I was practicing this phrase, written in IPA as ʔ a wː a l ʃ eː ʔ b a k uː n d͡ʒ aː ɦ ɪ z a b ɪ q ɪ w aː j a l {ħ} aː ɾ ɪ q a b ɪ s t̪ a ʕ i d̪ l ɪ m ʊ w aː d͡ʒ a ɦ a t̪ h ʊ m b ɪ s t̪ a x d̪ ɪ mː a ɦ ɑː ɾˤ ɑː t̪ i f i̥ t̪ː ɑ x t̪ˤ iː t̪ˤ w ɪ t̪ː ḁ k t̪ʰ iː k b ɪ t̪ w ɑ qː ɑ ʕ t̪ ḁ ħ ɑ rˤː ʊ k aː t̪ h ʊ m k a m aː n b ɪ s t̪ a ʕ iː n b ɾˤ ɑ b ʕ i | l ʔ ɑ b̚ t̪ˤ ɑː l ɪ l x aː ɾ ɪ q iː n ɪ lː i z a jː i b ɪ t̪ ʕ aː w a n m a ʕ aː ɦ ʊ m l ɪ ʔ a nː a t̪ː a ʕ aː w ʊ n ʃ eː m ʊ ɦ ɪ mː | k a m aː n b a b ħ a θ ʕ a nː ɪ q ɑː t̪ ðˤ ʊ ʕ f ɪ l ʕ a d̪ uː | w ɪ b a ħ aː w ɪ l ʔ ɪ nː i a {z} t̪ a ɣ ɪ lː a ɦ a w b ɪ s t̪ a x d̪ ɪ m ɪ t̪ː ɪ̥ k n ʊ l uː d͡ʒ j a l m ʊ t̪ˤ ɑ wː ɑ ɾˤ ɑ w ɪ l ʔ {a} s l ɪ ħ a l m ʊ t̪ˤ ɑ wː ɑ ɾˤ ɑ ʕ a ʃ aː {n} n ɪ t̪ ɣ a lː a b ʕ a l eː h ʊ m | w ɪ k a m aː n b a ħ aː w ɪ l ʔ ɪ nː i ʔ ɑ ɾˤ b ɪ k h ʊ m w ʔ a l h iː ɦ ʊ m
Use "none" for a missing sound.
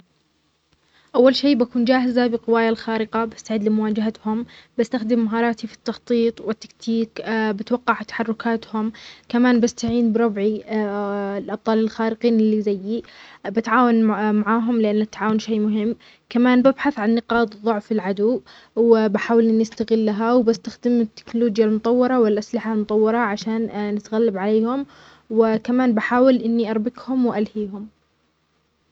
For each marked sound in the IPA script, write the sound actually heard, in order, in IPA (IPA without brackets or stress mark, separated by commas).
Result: x, s, a, n